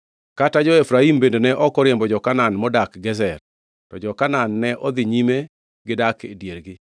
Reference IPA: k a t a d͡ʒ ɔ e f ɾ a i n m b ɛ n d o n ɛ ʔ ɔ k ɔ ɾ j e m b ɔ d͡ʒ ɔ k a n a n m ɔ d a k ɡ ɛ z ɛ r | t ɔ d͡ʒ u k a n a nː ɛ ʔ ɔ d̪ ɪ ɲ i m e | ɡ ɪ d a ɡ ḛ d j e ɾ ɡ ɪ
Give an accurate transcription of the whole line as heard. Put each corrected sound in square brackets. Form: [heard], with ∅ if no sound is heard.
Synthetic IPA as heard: k a t a d͡ʒ ɔ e f ɾ a i [∅] m b [e] n d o n ɛ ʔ ɔ k ɔ ɾ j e m b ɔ d͡ʒ ɔ k a n a n m ɔ d a k ɡ ɛ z ɛ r | t ɔ d͡ʒ [ɔ] k a n a nː ɛ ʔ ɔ d̪ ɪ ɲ i m e | ɡ ɪ d a [k] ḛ d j e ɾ ɡ ɪ